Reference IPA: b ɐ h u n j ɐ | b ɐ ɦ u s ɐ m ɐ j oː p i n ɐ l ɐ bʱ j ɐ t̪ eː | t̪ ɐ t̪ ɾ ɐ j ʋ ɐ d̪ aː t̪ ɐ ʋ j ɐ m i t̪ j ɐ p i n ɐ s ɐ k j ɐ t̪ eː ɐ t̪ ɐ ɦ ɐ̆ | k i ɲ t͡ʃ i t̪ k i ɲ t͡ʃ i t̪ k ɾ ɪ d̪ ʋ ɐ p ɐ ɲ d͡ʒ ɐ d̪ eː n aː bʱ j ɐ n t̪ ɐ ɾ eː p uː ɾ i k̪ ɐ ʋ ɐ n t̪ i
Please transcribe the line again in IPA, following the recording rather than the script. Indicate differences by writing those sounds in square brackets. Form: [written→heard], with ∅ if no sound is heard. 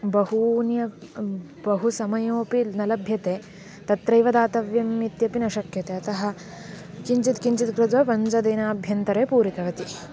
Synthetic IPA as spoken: b ɐ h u n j ɐ | b ɐ ɦ u s ɐ m ɐ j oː p i n ɐ l ɐ bʱ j ɐ t̪ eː | t̪ ɐ t̪ ɾ ɐ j ʋ ɐ d̪ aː t̪ ɐ ʋ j ɐ m i t̪ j ɐ p i n ɐ [s→ʃ] ɐ k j ɐ t̪ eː ɐ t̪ ɐ ɦ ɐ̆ | k i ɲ t͡ʃ i t̪ k i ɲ t͡ʃ i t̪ k ɾ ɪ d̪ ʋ ɐ p ɐ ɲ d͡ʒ ɐ d̪ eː n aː bʱ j ɐ n t̪ ɐ ɾ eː p uː ɾ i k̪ ɐ ʋ ɐ [n→∅] t̪ i